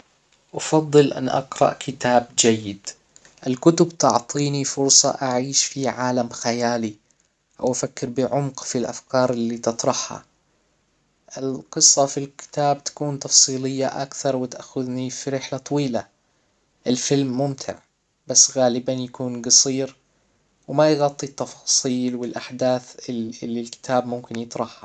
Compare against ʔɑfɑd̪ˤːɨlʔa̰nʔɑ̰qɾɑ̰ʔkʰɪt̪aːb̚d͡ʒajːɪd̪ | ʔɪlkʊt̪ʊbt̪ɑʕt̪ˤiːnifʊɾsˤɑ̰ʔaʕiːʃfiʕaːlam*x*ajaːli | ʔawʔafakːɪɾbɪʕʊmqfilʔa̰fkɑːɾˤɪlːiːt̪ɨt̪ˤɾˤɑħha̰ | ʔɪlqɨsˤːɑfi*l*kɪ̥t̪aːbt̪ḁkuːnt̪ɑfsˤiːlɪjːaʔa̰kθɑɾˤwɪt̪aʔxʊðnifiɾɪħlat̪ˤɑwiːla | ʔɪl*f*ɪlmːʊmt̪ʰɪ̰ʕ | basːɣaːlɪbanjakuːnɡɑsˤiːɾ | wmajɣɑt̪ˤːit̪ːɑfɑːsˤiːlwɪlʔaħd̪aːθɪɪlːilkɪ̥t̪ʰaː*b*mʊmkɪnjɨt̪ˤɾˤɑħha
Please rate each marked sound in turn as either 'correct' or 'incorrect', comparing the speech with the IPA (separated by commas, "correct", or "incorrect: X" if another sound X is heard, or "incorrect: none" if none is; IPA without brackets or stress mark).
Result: correct, correct, correct, correct